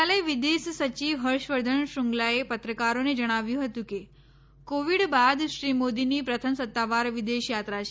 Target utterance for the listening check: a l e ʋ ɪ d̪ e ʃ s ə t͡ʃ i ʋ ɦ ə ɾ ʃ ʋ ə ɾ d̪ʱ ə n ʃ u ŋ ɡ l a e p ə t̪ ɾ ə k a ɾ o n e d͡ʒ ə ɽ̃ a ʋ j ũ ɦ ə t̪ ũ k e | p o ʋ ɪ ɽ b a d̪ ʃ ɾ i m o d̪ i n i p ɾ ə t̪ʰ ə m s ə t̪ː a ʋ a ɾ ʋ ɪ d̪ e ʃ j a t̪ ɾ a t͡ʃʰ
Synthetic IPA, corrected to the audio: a l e ʋ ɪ d̪ e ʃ s ə t͡ʃ i ʋ ɦ ə ɾ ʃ ʋ ə ɾ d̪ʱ ə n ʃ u ŋ ɡ l a e p ə t̪ ɾ ə k a ɾ o n e d͡ʒ ə ɽ̃ a ʋ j ũ ɦ ə t̪ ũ k e | k o ʋ i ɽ b a d̪ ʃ ɾ i m o d̪ i n i p ɾ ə t̪ʰ ə m s ə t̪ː a ʋ a ɾ ʋ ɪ d̪ e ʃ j a t̪ ɾ a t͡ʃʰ